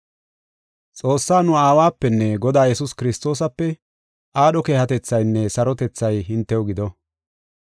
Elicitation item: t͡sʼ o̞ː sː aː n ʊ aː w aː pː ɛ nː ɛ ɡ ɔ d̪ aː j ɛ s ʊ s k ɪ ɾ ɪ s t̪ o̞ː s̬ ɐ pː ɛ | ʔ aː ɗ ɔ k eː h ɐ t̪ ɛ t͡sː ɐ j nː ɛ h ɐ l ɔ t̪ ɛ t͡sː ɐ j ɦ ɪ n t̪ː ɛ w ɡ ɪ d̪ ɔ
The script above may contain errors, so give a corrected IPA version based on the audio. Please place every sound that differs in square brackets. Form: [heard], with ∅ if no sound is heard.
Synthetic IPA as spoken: t͡sʼ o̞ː sː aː n ʊ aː w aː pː ɛ nː ɛ ɡ ɔ d̪ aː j ɛ s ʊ s k ɪ ɾ ɪ s t̪ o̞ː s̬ ɐ pː ɛ | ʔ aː ɗ ɔ k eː h ɐ t̪ ɛ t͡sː ɐ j nː ɛ [s] ɐ [ɾ] ɔ t̪ ɛ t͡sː ɐ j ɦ ɪ n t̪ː ɛ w ɡ ɪ d̪ ɔ

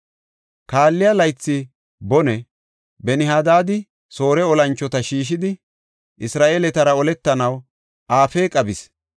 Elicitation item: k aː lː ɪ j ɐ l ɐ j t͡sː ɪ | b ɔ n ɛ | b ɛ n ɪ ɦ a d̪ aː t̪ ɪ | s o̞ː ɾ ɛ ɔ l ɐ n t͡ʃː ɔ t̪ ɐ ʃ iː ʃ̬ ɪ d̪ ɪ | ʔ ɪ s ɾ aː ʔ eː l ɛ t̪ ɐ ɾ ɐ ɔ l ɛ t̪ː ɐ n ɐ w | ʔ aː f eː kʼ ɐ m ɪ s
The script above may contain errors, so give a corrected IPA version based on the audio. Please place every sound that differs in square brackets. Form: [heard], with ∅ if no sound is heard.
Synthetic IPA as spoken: k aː lː ɪ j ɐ l ɐ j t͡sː ɪ | b ɔ n ɛ | b ɛ n ɪ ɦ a d̪ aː [d̪] ɪ | s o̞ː ɾ ɛ ɔ l ɐ n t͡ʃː ɔ t̪ ɐ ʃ iː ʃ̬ ɪ d̪ ɪ | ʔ ɪ s ɾ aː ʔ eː l ɛ t̪ ɐ ɾ ɐ ɔ l ɛ t̪ː ɐ n ɐ w | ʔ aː f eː kʼ ɐ [b] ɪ s

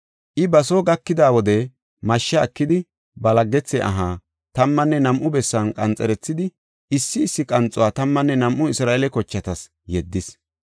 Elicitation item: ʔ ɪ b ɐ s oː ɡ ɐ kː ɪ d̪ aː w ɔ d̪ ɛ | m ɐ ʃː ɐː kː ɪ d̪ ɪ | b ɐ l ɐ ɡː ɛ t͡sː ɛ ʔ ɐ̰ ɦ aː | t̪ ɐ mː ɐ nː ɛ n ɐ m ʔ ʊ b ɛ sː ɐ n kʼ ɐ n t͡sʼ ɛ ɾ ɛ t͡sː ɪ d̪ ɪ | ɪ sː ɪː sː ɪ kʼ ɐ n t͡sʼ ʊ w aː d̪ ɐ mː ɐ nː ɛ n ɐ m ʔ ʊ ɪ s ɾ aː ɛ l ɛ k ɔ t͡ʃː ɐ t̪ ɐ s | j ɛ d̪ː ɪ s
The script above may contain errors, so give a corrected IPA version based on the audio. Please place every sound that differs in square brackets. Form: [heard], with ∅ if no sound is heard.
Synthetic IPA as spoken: ʔ ɪ b ɐ s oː ɡ ɐ kː ɪ d̪ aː w ɔ d̪ ɛ | m ɐ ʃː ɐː kː ɪ d̪ ɪ | b ɐ l ɐ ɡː ɛ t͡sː ɛ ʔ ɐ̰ ɦ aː | t̪ ɐ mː ɐ nː ɛ n ɐ m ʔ ʊ b ɛ sː ɐ n kʼ ɐ n t͡sʼ ɛ ɾ ɛ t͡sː ɪ d̪ ɪ | ɪ sː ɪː sː ɪ kʼ ɐ n t͡sʼ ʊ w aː [t̪] ɐ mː ɐ nː ɛ n ɐ m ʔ ʊ ɪ s ɾ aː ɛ l ɛ k ɔ t͡ʃː ɐ t̪ ɐ s | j ɛ d̪ː ɪ s

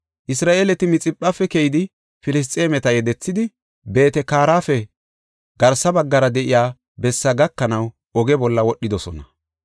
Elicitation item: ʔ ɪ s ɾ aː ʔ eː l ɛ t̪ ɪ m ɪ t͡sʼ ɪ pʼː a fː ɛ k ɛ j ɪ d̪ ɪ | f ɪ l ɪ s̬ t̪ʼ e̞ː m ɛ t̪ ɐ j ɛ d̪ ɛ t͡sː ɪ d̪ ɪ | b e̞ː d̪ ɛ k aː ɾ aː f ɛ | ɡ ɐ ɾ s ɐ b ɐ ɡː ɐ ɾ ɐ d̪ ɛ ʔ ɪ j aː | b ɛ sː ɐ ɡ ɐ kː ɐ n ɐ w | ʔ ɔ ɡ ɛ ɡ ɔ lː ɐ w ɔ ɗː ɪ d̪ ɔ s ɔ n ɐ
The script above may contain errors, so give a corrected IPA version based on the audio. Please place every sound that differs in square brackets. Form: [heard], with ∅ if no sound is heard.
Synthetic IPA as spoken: ʔ ɪ s ɾ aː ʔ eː l ɛ t̪ ɪ m ɪ t͡sʼ ɪ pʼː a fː ɛ k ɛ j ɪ d̪ ɪ | f ɪ l ɪ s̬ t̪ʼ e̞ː m ɛ t̪ ɐ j ɛ d̪ ɛ t͡sː ɪ d̪ ɪ | b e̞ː [t̪] ɛ k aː ɾ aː f ɛ | ɡ ɐ ɾ s ɐ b ɐ ɡː ɐ ɾ ɐ d̪ ɛ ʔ ɪ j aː | b ɛ sː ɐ ɡ ɐ kː ɐ n ɐ w | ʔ ɔ ɡ ɛ [b] ɔ lː ɐ w ɔ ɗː ɪ d̪ ɔ s ɔ n ɐ

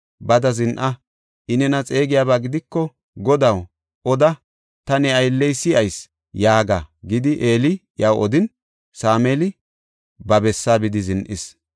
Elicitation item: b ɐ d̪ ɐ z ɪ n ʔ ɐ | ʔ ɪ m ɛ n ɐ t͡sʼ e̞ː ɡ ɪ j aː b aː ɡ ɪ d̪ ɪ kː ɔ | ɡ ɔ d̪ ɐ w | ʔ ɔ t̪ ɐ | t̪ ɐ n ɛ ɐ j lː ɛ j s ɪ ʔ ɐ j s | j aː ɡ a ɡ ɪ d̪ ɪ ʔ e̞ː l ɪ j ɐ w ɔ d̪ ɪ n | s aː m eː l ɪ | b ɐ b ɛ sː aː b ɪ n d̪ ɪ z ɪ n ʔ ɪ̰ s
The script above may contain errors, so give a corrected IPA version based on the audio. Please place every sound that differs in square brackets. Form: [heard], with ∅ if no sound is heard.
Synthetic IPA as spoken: b ɐ d̪ ɐ z ɪ n ʔ ɐ | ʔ ɪ [n] ɛ n ɐ t͡sʼ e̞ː ɡ ɪ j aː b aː ɡ ɪ d̪ ɪ kː ɔ | ɡ ɔ d̪ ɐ w | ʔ ɔ [d̪] ɐ | t̪ ɐ n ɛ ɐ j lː ɛ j s ɪ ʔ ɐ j s | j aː ɡ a ɡ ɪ d̪ ɪ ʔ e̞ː l ɪ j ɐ w ɔ d̪ ɪ n | s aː m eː l ɪ | b ɐ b ɛ sː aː b ɪ [∅] d̪ ɪ z ɪ n ʔ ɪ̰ s

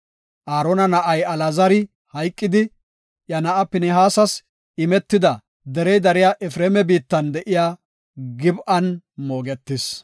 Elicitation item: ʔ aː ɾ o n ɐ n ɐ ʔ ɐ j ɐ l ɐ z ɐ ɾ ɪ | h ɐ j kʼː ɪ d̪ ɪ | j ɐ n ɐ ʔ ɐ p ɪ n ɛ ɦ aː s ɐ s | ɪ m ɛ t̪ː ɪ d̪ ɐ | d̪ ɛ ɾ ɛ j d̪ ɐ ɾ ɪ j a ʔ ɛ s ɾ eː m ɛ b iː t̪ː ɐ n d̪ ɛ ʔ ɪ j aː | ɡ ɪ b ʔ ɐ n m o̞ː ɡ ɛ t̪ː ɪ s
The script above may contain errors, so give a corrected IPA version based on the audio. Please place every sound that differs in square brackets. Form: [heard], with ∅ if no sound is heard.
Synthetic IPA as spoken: ʔ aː ɾ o n ɐ n ɐ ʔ ɐ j ɐ l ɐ z ɐ ɾ ɪ | h ɐ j kʼː ɪ d̪ ɪ | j ɐ n ɐ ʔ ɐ p ɪ n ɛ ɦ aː s ɐ s | ɪ m ɛ t̪ː ɪ d̪ ɐ | d̪ ɛ ɾ ɛ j d̪ ɐ ɾ ɪ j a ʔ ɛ [f] ɾ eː m ɛ b iː t̪ː ɐ n d̪ ɛ ʔ ɪ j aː | ɡ ɪ b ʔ ɐ n m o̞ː ɡ ɛ t̪ː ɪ s

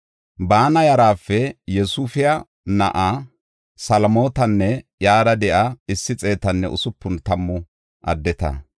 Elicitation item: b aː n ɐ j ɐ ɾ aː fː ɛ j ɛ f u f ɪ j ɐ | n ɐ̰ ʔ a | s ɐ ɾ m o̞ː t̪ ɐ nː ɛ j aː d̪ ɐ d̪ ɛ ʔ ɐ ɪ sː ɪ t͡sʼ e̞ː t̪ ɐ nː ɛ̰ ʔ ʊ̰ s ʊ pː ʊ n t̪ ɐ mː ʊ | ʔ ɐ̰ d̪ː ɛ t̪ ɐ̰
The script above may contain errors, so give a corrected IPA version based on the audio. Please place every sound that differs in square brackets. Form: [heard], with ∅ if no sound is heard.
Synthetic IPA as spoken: b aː n ɐ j ɐ ɾ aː fː ɛ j ɛ [s] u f ɪ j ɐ | n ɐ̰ ʔ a | s ɐ [l] m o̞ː t̪ ɐ nː ɛ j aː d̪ ɐ d̪ ɛ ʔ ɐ ɪ sː ɪ t͡sʼ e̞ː t̪ ɐ nː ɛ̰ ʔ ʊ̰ s ʊ pː ʊ n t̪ ɐ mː ʊ | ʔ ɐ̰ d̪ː ɛ t̪ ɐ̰

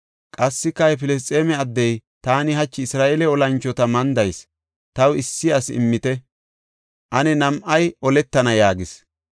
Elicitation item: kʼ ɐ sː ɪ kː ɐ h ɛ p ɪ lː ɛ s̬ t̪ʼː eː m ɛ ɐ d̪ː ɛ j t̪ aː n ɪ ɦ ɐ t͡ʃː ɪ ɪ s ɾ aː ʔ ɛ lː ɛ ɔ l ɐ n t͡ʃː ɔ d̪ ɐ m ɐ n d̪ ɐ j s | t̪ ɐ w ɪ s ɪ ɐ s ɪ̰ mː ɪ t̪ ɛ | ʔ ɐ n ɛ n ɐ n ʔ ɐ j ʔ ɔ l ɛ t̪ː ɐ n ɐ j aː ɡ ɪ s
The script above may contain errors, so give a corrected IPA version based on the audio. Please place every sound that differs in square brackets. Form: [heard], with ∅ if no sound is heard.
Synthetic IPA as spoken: kʼ ɐ sː ɪ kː ɐ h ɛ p ɪ [l] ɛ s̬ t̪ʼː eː m ɛ ɐ d̪ː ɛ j t̪ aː n ɪ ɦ ɐ t͡ʃː ɪ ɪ s ɾ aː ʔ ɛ [l] ɛ ɔ l ɐ n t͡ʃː ɔ [t̪] ɐ m ɐ n d̪ ɐ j s | t̪ ɐ w ɪ [sː] ɪ ɐ s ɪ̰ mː ɪ t̪ ɛ | ʔ ɐ n ɛ n ɐ [m] ʔ ɐ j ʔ ɔ l ɛ t̪ː ɐ n ɐ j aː ɡ ɪ s

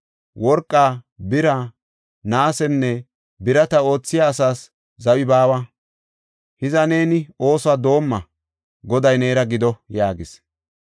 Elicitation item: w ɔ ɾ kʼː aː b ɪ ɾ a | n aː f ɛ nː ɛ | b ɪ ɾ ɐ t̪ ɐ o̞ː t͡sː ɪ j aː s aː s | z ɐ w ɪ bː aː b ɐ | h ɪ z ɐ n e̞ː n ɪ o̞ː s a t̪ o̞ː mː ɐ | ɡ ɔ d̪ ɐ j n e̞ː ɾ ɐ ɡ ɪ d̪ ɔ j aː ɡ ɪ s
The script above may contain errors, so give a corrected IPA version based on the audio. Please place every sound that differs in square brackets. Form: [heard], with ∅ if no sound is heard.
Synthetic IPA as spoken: w ɔ ɾ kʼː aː b ɪ ɾ a | n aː [s] ɛ nː ɛ | b ɪ ɾ ɐ t̪ ɐ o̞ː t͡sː ɪ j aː s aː s | z ɐ w ɪ [b] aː [w] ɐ | h ɪ z ɐ n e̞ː n ɪ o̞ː s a [d̪] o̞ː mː ɐ | ɡ ɔ d̪ ɐ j n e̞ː ɾ ɐ ɡ ɪ d̪ ɔ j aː ɡ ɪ s

